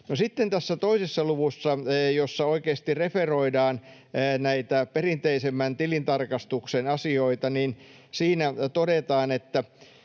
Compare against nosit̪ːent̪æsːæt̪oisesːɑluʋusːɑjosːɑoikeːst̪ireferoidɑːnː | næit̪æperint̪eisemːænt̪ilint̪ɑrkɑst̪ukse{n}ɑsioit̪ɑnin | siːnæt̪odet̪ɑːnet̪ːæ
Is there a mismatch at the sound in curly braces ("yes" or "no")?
no